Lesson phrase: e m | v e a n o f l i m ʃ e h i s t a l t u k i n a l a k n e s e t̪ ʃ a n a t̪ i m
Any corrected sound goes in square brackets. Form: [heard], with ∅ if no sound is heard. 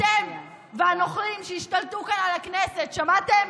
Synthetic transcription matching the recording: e m | v e a n o [χ] l i m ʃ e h i [ʃ] t a l t u k [a] n a l a k n e s e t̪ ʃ a [m] a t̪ [e] m